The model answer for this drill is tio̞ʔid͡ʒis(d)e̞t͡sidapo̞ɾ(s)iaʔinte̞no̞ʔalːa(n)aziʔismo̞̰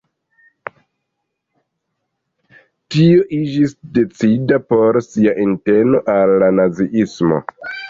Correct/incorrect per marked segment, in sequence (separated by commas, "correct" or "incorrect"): correct, correct, correct